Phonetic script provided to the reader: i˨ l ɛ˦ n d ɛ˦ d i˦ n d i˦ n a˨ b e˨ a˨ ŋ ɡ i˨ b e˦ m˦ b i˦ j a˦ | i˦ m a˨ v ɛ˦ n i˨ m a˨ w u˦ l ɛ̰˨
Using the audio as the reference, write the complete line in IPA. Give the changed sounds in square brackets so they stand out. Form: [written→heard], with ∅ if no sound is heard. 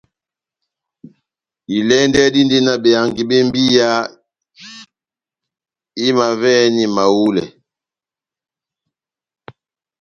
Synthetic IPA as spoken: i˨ l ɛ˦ n d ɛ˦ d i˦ n d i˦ n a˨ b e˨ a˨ ŋ ɡ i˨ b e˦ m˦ b i˦ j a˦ | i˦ m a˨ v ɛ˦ n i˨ m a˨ w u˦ l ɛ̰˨